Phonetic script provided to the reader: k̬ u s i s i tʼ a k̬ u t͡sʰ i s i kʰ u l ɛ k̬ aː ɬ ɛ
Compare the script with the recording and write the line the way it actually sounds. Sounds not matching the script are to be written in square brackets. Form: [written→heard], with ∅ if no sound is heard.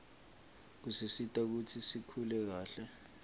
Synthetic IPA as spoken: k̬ u s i s i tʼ a k̬ u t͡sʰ i s i kʰ u l ɛ k̬ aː ɬ ɛ